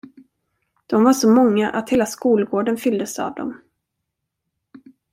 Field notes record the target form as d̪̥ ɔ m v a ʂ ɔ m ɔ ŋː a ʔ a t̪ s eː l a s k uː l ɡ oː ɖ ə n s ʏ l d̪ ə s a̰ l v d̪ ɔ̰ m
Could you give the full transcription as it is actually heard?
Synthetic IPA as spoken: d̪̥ ɔ m v a ʂ ɔ m ɔ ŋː a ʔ a t̪ h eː l a s k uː l ɡ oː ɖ ə n f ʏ l d̪ ə s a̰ v d̪ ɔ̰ m

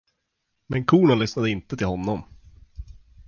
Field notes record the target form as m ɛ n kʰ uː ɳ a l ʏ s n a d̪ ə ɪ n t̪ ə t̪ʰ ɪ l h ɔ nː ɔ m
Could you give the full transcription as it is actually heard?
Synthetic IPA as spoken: m ɛ n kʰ uː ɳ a l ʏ s n a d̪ ə ɪ n t̪ ə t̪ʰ ɪ l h ɔ nː ɔ m

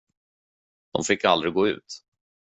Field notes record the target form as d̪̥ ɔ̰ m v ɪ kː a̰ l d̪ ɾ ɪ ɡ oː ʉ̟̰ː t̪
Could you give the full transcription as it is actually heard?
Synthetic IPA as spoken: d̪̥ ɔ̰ m f ɪ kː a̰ l d̪ ɾ ɪ ɡ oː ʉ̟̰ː t̪

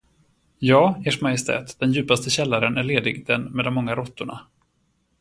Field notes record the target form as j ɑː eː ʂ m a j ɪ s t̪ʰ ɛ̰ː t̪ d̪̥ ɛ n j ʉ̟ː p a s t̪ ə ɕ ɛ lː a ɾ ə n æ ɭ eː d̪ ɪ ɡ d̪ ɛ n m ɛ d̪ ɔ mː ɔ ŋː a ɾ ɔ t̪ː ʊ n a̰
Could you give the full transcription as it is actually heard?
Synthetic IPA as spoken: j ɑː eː ʂ m a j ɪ s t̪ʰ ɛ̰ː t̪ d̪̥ ɛ n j ʉ̟ː p a s t̪ ə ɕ ɛ lː a ɾ ə n æ ɭ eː d̪ ɪ ɡ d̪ ɛ n m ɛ d̪ ɔ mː ɔ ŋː a ɾ ɔ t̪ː ʊ ɳ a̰

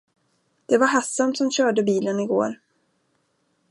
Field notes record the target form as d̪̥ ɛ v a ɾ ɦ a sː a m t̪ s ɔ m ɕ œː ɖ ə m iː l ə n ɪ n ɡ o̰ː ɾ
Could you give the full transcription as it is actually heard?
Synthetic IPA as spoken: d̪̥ ɛ v a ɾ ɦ a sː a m t̪ s ɔ m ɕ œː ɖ ə b iː l ə n ɪ ɡ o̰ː ɾ

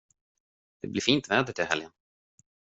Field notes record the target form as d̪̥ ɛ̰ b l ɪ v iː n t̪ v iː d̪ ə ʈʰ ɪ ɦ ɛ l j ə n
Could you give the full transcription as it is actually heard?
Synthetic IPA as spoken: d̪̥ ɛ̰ b l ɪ f iː n t̪ v ɛː d̪ ə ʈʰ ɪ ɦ ɛ l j ə n

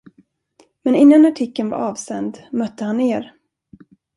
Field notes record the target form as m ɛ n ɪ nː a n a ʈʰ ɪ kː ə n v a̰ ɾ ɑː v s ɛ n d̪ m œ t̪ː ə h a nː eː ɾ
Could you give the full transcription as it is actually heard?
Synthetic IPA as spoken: m ɛ n ɪ nː a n a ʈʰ ɪ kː ə n v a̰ ɾ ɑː v s ɛ n d̪ m œ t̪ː ə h a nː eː ɾ

